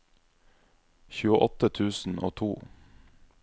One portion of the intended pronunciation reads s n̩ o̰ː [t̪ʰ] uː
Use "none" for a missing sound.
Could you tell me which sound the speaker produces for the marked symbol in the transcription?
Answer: t̪ʰ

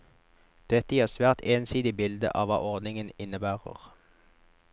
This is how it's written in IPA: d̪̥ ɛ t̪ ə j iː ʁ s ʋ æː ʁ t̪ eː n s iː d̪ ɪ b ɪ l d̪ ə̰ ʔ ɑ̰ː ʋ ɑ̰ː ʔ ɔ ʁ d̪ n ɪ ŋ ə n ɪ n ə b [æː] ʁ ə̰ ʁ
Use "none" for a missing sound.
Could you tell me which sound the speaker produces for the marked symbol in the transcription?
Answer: æː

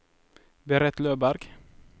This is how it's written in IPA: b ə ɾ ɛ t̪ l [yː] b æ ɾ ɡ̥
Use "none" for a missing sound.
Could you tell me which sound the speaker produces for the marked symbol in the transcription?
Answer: øː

